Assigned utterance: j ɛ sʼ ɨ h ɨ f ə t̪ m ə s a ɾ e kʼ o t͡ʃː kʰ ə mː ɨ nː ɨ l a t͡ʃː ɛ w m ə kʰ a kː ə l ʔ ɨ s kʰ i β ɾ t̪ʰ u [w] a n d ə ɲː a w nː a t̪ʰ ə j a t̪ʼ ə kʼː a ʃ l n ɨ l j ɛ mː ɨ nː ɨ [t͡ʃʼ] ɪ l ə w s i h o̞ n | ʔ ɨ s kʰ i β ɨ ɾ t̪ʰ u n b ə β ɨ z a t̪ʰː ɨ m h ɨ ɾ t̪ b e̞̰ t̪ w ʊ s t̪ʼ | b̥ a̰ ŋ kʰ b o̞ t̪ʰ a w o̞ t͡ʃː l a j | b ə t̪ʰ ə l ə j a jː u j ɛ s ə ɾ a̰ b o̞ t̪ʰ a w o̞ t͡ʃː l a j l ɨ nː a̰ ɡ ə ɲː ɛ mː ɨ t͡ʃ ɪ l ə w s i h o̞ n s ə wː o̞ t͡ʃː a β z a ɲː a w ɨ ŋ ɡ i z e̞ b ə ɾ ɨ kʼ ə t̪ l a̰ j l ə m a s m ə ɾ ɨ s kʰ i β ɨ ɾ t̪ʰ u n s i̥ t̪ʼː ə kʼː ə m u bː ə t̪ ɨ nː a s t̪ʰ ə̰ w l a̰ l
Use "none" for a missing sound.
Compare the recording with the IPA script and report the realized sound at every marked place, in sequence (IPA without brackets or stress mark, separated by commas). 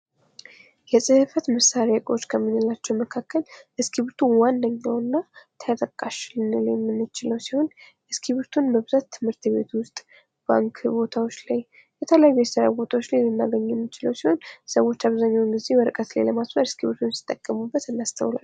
w, t͡ʃ